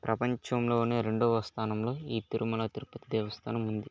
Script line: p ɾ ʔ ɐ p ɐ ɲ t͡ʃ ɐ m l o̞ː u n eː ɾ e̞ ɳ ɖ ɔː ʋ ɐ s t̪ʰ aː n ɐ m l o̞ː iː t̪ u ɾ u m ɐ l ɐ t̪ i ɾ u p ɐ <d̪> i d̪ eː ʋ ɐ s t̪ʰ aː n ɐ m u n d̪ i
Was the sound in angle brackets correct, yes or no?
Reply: no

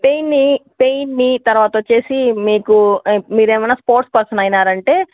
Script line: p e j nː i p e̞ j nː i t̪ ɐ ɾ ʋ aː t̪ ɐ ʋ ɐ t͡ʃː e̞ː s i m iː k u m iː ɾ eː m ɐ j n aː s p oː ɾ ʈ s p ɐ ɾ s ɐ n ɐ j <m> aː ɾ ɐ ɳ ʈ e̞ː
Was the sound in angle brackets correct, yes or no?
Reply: no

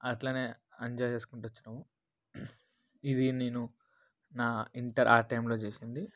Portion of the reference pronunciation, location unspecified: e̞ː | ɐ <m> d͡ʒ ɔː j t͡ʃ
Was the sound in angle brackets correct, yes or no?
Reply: no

